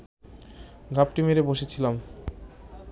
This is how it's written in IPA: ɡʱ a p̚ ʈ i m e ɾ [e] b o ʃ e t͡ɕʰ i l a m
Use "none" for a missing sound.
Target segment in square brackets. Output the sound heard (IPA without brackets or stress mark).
e